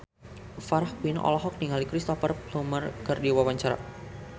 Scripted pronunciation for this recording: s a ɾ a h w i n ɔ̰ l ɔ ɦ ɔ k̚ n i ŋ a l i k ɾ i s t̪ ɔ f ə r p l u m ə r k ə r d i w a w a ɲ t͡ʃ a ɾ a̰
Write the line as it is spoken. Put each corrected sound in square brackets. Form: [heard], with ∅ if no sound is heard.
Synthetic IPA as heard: [f] a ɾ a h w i n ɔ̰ l ɔ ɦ ɔ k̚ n i ŋ a l i k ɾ i s t̪ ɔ f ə r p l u m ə r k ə r d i w a w a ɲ t͡ʃ a ɾ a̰